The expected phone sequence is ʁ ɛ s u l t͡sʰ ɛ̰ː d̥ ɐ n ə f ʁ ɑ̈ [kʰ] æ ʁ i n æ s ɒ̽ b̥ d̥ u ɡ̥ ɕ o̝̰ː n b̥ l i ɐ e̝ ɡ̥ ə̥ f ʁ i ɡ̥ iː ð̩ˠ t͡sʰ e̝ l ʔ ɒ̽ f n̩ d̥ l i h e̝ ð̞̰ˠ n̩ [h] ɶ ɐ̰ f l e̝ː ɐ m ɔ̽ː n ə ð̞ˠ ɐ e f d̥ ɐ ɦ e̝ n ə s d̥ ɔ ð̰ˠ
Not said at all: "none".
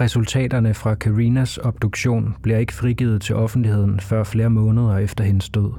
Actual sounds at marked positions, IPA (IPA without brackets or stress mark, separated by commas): kʰ, f